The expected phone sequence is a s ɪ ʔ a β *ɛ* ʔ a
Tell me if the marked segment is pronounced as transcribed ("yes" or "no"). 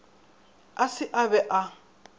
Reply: yes